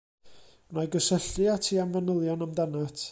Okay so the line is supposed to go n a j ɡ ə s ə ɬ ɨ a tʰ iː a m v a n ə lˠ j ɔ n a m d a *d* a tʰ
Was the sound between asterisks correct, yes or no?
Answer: no